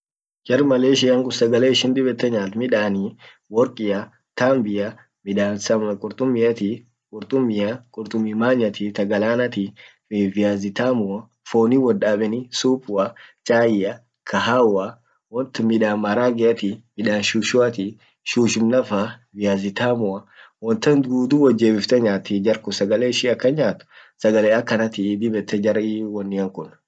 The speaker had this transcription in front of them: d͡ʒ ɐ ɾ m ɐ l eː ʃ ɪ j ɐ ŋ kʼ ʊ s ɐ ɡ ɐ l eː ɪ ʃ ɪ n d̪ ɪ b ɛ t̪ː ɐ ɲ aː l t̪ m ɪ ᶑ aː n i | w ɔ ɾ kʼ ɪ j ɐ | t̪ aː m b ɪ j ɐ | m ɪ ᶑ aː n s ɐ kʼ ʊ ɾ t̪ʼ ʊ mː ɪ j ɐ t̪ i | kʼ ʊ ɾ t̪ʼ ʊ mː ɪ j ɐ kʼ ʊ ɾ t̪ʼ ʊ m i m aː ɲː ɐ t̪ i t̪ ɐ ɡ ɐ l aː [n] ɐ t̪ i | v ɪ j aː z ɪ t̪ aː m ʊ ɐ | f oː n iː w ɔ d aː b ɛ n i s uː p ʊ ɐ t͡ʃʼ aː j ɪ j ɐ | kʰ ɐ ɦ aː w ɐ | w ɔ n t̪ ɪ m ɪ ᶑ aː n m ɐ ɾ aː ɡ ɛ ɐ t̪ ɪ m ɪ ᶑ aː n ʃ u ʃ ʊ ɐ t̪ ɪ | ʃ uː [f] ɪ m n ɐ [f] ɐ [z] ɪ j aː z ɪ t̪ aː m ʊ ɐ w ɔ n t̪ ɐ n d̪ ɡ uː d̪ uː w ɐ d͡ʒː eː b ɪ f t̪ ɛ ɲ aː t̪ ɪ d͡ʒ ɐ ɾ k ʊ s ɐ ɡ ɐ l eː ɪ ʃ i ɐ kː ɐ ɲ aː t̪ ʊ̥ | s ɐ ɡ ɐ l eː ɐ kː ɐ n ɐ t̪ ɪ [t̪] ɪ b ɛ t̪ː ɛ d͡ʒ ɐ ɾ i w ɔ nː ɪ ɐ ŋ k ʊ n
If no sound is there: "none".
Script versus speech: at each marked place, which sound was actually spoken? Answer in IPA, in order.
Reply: n, ʃ, f, v, d̪

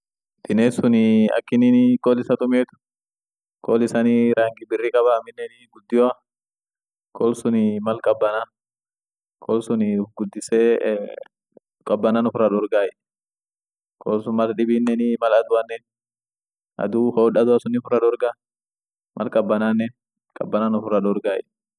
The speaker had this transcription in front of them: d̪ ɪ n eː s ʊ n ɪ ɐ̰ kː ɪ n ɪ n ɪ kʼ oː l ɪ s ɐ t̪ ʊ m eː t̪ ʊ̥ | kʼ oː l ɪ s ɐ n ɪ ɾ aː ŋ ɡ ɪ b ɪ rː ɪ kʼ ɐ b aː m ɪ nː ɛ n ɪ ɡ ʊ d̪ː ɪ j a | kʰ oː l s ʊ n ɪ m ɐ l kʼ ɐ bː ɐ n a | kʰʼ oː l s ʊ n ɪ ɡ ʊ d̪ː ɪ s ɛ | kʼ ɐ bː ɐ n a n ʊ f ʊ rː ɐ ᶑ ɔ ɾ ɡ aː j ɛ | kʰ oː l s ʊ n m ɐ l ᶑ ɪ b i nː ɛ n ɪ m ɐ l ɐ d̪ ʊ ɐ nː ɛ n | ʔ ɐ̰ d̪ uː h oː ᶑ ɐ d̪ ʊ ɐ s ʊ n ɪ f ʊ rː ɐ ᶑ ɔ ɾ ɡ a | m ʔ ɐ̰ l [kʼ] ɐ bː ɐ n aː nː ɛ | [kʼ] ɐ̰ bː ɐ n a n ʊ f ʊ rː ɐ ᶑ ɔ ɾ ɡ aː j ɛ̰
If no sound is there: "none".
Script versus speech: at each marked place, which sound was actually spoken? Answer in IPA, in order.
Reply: kʼ, kʼ

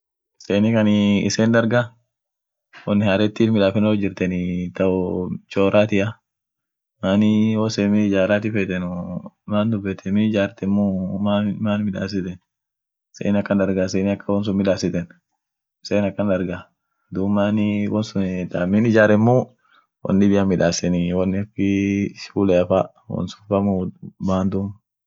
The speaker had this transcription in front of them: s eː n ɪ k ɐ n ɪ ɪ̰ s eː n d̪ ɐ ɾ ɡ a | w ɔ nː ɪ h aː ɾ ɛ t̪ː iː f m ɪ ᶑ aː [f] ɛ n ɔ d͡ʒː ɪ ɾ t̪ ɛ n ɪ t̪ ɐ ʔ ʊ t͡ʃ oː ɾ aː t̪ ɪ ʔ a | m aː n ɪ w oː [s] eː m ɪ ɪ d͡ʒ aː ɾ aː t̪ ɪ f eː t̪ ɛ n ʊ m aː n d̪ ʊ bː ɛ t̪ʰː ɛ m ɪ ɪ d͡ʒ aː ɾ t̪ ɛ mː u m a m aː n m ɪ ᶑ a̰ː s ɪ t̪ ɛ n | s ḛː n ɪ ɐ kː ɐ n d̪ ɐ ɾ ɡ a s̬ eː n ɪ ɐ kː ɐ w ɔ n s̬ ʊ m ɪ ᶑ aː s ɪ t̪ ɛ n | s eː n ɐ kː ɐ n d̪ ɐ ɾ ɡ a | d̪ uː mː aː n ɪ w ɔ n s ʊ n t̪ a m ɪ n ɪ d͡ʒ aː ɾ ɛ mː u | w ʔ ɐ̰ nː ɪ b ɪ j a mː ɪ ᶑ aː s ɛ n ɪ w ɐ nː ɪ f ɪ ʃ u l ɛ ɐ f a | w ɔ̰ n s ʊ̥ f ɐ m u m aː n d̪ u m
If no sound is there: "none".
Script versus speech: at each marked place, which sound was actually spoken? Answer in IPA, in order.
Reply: f, s

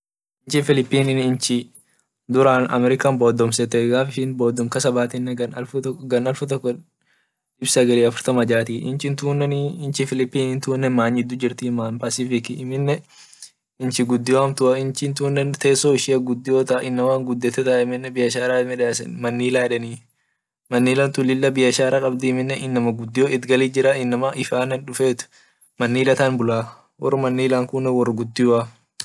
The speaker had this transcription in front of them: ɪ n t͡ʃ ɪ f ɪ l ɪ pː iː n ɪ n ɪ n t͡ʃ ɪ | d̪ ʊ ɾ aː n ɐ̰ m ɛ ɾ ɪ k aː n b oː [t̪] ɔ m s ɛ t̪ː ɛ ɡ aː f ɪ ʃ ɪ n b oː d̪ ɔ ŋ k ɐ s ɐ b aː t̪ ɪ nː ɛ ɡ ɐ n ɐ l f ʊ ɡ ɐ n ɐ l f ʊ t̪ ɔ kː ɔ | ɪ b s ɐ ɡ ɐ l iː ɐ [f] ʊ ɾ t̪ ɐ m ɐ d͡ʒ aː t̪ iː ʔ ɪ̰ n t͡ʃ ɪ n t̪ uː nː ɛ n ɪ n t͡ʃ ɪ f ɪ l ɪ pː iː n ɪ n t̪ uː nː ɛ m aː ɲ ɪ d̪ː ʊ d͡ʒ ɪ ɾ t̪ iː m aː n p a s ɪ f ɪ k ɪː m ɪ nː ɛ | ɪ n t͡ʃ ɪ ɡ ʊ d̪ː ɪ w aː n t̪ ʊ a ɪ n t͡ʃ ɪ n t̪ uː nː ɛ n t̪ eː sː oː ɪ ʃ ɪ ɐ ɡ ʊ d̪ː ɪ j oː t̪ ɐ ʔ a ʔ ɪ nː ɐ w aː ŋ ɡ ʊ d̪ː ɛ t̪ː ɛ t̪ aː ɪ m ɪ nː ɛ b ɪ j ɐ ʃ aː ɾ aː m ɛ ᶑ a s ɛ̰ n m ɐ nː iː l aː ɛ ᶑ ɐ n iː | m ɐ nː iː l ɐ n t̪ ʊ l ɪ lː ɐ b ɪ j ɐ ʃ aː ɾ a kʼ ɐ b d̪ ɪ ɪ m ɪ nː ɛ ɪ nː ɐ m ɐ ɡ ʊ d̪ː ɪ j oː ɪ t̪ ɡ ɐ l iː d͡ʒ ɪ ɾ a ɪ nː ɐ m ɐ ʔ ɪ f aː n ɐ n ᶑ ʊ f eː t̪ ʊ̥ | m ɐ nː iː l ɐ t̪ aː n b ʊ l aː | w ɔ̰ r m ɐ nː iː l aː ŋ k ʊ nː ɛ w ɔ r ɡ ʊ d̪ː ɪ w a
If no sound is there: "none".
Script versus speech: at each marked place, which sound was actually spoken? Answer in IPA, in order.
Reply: d̪, f

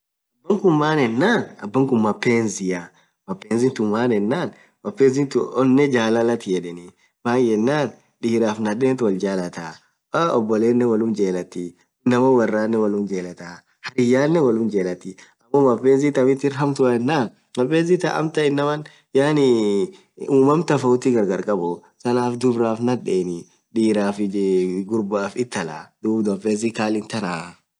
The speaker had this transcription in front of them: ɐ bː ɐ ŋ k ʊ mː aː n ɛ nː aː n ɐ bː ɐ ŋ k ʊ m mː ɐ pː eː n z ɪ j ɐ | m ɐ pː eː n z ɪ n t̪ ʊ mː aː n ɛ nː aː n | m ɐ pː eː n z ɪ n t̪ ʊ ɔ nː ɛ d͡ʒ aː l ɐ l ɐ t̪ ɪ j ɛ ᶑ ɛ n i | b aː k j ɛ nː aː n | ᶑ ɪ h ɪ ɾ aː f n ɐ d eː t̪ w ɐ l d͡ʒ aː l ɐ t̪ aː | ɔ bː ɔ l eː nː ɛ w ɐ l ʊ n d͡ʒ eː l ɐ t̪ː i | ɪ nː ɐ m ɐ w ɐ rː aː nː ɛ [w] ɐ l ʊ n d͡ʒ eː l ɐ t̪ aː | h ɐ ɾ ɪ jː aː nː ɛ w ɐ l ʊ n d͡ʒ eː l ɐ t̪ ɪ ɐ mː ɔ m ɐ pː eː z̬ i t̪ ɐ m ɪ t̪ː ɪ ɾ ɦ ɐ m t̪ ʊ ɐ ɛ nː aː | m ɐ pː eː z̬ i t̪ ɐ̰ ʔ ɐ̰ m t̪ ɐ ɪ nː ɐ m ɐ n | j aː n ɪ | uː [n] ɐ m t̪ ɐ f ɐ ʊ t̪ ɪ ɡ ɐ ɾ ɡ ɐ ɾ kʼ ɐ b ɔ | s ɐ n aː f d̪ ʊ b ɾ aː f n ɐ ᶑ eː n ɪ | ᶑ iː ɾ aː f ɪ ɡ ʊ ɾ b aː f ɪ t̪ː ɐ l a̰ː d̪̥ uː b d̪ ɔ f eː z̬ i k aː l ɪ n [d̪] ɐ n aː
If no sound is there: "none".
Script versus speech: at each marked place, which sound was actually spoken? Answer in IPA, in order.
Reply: w, m, t̪

